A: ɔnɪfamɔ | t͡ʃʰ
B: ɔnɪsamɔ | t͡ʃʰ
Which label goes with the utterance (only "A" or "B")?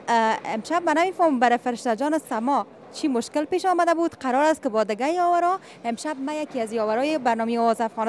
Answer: B